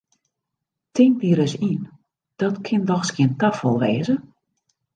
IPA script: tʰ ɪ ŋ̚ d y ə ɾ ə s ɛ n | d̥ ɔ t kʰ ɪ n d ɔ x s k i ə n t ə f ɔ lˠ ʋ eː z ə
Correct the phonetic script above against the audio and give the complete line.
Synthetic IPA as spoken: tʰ ɪ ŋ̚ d i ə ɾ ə s i n | d̥ ɔ t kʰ ɪ n d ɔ x s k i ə n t a f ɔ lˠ ʋ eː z ə